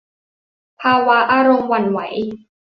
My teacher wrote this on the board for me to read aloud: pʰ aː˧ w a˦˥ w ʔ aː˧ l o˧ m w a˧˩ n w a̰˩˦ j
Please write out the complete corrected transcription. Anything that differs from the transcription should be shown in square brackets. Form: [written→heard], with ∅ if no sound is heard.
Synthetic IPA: pʰ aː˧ w a˦˥ [w→∅] ʔ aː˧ [l→ɾ] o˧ m w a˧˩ n w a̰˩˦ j